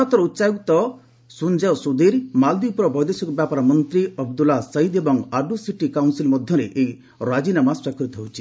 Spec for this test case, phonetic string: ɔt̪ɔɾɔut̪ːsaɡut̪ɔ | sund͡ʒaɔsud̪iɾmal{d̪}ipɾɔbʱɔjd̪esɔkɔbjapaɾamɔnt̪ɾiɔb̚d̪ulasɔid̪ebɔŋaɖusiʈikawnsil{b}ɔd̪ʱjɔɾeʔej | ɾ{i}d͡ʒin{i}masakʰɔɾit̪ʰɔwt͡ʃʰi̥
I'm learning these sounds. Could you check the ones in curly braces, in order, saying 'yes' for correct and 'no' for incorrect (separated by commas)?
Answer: yes, no, no, no